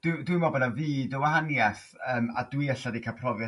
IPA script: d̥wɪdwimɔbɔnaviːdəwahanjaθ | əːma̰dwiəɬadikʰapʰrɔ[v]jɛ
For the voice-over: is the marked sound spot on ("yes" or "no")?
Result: yes